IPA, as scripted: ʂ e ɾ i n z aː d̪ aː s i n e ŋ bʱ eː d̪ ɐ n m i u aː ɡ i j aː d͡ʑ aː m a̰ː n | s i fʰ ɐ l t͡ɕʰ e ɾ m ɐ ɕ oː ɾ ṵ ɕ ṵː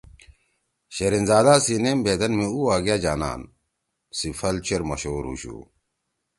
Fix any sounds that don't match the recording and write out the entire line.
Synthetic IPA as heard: ɕ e ɾ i n z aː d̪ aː s i n e m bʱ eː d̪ ɐ n m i u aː ɡ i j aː d͡ʑ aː n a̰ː n | s i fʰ ɐ l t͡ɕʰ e ɾ m ɐ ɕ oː ɾ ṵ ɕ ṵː

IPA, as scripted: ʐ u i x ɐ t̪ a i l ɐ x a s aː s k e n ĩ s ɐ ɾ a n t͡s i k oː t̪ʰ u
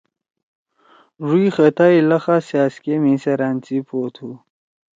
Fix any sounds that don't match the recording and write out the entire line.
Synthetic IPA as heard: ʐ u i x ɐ t̪ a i l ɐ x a s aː s k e m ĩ s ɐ ɾ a n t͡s i p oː t̪ʰ u

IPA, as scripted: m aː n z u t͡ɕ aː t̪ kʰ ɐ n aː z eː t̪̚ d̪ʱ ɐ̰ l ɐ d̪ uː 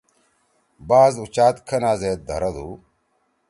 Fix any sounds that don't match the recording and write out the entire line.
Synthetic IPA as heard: b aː z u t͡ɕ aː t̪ kʰ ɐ n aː z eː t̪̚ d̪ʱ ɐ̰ ɾ ɐ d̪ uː

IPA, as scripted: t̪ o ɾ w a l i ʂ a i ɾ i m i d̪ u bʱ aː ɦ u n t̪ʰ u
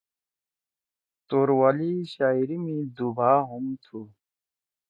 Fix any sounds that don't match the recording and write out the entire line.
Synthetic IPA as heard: t̪ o ɾ w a l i ɕ a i ɾ i m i d̪ u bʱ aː ɦ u m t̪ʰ u

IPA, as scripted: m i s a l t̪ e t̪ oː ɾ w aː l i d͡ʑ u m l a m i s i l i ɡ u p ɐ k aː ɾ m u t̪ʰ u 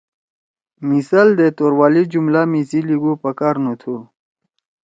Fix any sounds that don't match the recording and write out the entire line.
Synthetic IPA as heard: m i s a l d̪ e t̪ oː ɾ w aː l i d͡ʑ u m l a m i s i l i ɡ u p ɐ k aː ɾ n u t̪ʰ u

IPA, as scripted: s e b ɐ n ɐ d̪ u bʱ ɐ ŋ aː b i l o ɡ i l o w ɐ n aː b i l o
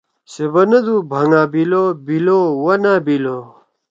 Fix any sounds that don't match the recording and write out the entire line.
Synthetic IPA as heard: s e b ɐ n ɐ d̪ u bʱ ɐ ŋ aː b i l o b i l o w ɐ n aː b i l o

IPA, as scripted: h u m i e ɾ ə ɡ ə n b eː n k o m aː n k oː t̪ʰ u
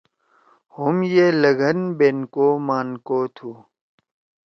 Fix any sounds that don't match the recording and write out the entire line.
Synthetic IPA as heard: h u m j e l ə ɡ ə n b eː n k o m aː n k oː t̪ʰ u

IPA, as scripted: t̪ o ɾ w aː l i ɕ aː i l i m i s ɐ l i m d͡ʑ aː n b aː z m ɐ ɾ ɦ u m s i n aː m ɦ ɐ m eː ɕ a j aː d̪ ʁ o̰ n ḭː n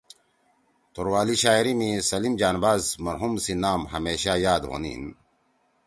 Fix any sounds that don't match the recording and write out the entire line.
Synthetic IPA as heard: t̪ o ɾ w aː l i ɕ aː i ɾ i m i s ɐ l i m d͡ʑ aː n b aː z m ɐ ɾ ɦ u m s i n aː m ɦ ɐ m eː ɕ a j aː d̪ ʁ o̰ n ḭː n

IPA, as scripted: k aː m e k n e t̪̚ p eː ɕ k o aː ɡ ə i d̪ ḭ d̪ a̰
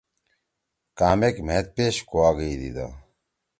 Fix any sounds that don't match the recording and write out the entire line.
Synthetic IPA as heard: k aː m e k m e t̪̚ p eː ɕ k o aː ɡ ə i d̪ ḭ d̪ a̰

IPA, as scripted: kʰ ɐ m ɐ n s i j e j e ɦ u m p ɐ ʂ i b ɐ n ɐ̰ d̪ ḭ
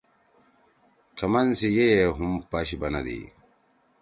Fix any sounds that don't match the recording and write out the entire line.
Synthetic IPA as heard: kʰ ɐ m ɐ n s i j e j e ɦ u m p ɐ ɕ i b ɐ n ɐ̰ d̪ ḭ

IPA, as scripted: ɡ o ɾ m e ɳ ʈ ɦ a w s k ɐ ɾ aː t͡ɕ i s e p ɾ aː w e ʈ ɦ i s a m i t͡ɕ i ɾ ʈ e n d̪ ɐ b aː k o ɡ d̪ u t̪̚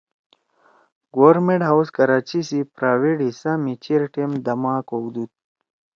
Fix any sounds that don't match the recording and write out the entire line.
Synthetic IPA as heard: ɡ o ɾ m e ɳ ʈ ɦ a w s k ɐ ɾ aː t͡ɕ i s i p ɾ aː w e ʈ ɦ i s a m i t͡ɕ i ɾ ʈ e m d̪ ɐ m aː k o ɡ d̪ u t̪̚

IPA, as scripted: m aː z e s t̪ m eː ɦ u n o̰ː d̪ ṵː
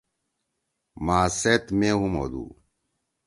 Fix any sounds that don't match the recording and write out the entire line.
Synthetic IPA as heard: m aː s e t̪ m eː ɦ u m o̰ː d̪ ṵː

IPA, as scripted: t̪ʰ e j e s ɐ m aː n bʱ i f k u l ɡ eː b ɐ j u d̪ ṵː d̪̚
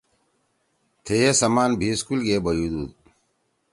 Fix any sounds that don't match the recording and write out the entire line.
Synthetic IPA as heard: t̪ʰ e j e s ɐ m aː n bʱ i s k u l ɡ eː b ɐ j u d̪ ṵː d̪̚

